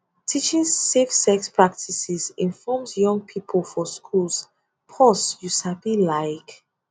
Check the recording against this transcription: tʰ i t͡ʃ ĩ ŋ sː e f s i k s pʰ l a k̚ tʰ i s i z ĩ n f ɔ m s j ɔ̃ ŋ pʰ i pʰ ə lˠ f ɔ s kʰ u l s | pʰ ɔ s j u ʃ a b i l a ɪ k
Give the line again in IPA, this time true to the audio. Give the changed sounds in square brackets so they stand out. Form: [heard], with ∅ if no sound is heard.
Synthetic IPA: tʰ i t͡ʃ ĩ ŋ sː e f s [ɛ] k s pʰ [ɹ] a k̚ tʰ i s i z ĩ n f ɔ m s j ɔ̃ ŋ pʰ i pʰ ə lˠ f ɔ s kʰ u l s | pʰ ɔ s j u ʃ a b i l a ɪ k